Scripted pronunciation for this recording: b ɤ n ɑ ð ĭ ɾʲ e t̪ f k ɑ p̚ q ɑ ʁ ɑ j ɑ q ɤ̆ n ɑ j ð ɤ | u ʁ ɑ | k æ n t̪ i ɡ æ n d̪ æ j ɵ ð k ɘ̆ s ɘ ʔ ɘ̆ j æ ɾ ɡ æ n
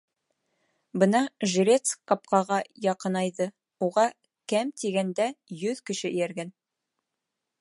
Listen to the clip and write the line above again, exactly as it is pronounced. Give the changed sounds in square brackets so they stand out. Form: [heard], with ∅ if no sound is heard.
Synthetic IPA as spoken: b ɤ n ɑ [ʒ] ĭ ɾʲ e t̪ [s] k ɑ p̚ q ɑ ʁ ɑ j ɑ q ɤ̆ n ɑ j ð ɤ | u ʁ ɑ | k æ [m] t̪ i ɡ æ n d̪ æ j ɵ ð k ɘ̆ [ʃ] ɘ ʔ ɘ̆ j æ ɾ ɡ æ n